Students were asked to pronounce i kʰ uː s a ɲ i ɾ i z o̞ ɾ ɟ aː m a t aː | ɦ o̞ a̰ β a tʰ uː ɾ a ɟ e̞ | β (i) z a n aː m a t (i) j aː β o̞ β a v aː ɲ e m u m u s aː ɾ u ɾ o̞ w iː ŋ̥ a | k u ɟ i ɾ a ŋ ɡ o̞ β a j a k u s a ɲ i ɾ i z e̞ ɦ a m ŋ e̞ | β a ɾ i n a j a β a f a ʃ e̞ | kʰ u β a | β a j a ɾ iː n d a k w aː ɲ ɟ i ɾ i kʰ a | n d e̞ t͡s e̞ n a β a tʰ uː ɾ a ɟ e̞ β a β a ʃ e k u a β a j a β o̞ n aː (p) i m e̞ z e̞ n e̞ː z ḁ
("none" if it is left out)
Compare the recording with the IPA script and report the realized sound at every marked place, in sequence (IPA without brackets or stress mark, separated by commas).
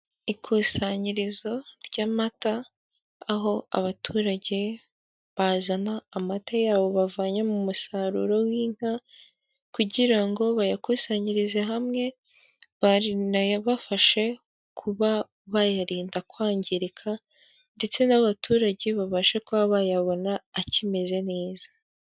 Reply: a, a, c